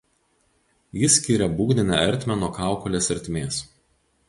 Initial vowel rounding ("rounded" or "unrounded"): unrounded